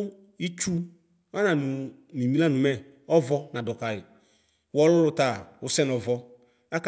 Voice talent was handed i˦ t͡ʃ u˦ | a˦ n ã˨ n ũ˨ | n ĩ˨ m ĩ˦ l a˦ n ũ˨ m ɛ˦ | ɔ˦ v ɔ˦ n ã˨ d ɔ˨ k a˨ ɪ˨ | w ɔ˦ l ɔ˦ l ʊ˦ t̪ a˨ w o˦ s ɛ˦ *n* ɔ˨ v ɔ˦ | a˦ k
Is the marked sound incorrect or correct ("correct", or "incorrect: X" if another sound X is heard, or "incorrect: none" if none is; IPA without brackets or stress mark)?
correct